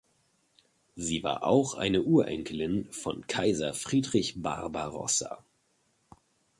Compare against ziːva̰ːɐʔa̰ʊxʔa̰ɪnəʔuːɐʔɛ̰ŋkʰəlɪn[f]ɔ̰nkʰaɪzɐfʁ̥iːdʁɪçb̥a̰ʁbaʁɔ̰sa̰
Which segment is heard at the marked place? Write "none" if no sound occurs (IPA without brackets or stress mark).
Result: f